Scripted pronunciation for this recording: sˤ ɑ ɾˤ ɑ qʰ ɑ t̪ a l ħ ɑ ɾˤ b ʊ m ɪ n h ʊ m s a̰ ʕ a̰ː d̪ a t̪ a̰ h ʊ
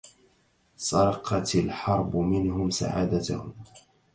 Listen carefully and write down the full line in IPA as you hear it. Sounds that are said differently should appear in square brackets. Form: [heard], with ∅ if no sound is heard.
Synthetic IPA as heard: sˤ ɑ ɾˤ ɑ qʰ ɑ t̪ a l ħ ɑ ɾˤ b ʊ m ɪ n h ʊ m s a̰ ʕ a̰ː d̪ a t̪ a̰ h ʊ